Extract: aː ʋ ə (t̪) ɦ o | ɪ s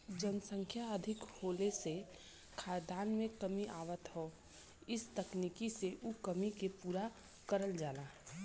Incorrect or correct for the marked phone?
correct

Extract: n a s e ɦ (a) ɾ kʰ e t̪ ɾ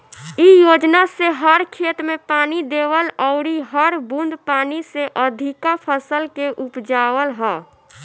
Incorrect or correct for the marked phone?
incorrect: ə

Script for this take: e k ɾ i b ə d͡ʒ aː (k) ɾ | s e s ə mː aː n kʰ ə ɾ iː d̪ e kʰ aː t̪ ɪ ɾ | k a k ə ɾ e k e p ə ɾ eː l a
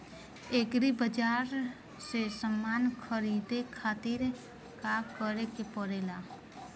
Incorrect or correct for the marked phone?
incorrect: none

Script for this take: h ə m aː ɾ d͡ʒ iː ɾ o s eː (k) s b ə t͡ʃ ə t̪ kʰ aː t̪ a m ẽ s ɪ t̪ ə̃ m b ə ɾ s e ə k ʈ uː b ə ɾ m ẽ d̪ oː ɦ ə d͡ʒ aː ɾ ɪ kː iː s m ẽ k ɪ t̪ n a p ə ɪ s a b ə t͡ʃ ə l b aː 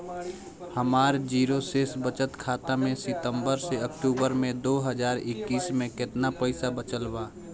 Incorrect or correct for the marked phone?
incorrect: none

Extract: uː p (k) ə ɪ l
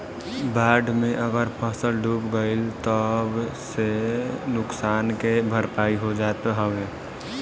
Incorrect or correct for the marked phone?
incorrect: ɡ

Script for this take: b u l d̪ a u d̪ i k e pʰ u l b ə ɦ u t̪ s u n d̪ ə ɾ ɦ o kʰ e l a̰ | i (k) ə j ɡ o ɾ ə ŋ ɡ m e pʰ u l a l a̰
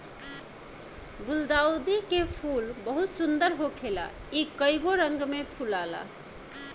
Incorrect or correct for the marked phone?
correct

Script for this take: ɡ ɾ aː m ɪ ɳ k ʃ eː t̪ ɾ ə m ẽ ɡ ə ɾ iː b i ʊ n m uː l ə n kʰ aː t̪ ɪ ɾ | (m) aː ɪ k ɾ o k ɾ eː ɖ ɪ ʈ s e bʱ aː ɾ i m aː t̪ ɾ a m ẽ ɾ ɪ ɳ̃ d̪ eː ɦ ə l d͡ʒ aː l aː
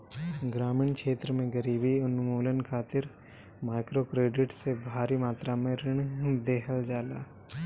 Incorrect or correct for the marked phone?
correct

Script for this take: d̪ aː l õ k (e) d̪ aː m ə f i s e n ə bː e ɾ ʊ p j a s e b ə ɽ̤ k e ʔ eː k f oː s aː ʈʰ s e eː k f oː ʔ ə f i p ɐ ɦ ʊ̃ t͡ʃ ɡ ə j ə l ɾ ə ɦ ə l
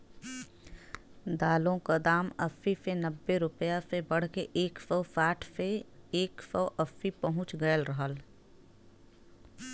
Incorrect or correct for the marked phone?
incorrect: a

